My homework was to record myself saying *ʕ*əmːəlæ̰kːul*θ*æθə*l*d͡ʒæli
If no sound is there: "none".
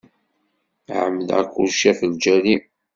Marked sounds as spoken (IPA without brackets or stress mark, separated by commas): ʕ, ʃ, l